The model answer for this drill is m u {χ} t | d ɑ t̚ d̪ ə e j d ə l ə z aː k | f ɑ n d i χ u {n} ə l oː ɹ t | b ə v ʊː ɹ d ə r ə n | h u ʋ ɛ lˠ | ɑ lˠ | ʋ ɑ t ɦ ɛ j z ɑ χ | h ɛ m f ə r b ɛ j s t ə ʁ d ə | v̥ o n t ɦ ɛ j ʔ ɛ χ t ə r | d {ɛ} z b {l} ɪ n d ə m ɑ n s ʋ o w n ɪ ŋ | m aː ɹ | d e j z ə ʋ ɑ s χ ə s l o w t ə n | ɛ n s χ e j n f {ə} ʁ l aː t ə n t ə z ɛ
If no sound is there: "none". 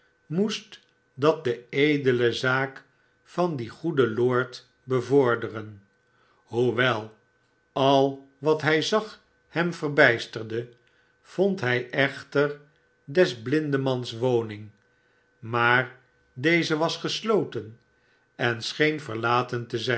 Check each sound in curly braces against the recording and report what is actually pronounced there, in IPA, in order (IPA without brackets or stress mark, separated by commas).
s, d, ɛ, l, ə